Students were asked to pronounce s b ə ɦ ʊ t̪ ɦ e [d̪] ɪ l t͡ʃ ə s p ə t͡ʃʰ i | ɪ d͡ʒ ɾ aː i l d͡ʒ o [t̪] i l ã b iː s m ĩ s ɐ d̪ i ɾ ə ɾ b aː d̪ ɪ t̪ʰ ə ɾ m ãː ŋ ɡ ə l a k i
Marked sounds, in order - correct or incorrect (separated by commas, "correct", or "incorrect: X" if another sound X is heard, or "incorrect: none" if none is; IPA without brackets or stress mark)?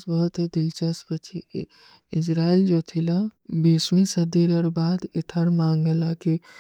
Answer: correct, incorrect: t̪ʰ